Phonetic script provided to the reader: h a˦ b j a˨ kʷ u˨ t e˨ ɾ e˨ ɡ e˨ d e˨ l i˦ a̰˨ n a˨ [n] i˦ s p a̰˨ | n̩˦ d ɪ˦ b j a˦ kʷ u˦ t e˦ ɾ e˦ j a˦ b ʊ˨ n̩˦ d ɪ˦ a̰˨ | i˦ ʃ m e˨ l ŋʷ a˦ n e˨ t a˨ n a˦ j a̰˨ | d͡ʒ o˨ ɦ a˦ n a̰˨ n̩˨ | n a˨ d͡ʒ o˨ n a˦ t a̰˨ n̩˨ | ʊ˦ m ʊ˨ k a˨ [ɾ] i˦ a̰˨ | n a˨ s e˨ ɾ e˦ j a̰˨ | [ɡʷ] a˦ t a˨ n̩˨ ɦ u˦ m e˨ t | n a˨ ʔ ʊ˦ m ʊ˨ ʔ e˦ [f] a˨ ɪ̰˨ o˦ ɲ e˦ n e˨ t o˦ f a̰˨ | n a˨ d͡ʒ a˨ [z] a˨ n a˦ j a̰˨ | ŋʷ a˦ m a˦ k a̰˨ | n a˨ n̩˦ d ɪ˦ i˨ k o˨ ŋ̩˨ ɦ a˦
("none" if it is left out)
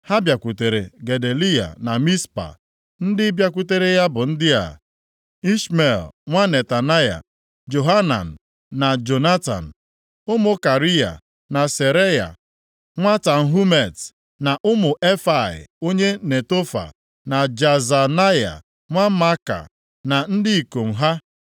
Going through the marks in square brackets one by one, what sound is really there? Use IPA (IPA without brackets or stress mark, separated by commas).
m, ɾ, ŋʷ, f, z